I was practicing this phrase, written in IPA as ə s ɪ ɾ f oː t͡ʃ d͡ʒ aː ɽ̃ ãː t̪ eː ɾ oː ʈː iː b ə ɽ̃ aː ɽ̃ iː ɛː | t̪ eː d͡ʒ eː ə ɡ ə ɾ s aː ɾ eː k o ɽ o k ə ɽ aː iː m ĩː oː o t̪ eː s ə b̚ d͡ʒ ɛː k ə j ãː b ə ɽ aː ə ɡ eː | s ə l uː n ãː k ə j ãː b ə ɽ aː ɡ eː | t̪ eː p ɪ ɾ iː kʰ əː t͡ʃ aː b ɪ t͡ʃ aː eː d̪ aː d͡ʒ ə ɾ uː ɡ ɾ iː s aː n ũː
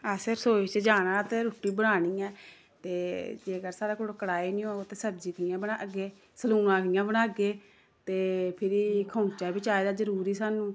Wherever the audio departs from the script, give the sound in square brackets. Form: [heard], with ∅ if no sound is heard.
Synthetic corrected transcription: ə s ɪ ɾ [s] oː t͡ʃ d͡ʒ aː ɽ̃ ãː t̪ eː ɾ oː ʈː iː b ə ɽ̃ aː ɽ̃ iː ɛː | t̪ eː d͡ʒ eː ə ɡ ə ɾ s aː ɾ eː k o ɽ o k ə ɽ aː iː [n] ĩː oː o t̪ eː s ə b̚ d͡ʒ [iː] k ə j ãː b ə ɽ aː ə ɡ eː | s ə l uː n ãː k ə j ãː b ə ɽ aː ɡ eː | t̪ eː [pʰ] ɪ ɾ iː kʰ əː t͡ʃ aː b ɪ t͡ʃ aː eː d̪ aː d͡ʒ ə ɾ uː [∅] ɾ iː s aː n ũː

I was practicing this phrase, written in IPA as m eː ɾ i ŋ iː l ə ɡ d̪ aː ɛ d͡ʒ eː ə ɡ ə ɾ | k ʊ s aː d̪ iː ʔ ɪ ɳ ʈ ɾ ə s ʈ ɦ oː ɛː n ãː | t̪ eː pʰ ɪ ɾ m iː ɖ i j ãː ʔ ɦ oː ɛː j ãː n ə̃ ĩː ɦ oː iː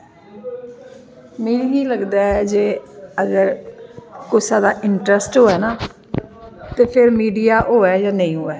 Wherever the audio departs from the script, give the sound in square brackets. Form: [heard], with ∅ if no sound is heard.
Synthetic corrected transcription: m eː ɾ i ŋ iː l ə ɡ d̪ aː ɛ d͡ʒ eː ə ɡ ə ɾ | k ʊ s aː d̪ [aː] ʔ ɪ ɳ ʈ ɾ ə s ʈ ɦ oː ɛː n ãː | t̪ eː pʰ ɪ ɾ m iː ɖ i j [aː] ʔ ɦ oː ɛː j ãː n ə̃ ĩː ɦ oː [ɛː]

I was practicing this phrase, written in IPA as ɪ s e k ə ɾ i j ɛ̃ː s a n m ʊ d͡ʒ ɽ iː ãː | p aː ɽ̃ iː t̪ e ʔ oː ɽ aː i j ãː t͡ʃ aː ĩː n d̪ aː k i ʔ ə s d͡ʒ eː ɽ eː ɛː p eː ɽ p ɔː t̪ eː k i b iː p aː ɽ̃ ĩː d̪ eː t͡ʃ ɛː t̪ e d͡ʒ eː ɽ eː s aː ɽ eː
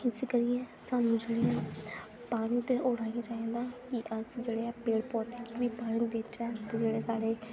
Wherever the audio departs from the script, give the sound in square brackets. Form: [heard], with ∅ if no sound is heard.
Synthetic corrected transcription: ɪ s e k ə ɾ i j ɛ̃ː s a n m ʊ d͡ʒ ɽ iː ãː | p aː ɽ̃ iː t̪ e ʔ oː ɽ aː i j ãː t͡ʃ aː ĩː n d̪ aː k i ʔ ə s d͡ʒ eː ɽ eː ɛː p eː ɽ p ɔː t̪ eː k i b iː p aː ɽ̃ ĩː d̪ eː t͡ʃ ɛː t̪ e d͡ʒ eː ɽ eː s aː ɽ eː

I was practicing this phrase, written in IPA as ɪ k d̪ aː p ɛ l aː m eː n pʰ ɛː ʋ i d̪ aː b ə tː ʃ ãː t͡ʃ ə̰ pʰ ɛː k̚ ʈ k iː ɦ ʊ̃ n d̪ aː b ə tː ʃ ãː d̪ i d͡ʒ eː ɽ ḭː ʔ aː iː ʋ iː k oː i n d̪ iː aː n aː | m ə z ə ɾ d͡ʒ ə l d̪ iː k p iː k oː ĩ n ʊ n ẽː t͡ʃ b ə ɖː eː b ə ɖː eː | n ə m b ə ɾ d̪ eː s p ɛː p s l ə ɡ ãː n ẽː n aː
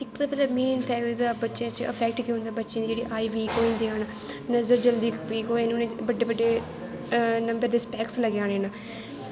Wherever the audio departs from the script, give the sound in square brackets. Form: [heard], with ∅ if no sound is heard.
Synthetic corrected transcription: ɪ k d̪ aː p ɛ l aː m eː n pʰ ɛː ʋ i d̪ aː b ə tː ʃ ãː t͡ʃ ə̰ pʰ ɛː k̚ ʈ k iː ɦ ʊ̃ n d̪ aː b ə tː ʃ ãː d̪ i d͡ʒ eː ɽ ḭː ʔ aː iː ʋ iː k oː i n d̪ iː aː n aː | [n] ə z ə ɾ d͡ʒ ə l d̪ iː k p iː k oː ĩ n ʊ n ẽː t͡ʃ b ə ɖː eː b ə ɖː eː | n ə m b ə ɾ d̪ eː s p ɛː [k] s l ə ɡ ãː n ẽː n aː

